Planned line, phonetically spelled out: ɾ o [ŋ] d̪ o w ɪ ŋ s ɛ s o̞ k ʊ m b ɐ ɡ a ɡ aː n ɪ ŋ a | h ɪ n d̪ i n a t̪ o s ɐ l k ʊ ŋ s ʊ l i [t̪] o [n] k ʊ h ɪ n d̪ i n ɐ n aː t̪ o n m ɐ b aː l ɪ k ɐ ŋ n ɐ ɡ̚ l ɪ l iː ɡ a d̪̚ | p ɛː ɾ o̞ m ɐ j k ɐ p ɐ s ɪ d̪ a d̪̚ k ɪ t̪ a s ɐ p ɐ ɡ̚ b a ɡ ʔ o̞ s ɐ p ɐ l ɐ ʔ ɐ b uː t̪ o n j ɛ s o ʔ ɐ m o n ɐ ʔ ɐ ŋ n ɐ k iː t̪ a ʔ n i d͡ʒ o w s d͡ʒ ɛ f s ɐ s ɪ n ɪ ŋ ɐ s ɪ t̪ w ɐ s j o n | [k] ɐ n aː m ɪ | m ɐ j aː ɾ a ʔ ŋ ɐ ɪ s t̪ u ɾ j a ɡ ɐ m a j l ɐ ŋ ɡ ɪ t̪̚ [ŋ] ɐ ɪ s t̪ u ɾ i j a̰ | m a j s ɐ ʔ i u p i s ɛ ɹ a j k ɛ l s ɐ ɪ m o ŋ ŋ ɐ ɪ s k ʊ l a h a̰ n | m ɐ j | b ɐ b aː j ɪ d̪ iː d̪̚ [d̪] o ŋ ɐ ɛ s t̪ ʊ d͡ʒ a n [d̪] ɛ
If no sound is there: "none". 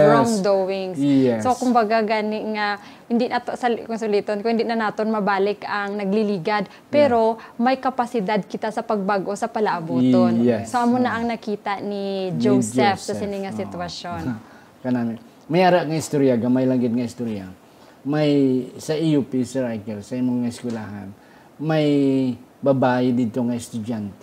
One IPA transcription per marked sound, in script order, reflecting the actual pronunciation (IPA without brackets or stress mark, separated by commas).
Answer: ŋ, t̪, n, k, ŋ, t̪, t̪